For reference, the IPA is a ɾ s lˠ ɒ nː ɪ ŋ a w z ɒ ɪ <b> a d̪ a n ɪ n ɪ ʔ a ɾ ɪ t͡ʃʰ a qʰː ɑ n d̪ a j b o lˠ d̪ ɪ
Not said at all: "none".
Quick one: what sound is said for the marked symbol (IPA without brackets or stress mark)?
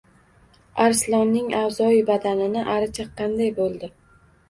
b